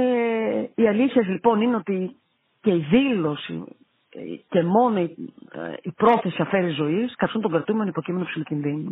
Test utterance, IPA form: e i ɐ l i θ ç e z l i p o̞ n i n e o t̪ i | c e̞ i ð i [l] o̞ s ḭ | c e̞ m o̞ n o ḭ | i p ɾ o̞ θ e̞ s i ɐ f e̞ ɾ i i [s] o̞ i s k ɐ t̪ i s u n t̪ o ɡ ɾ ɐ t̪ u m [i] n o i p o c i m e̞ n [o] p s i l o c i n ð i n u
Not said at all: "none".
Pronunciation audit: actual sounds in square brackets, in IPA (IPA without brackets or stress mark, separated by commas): l, z, e, o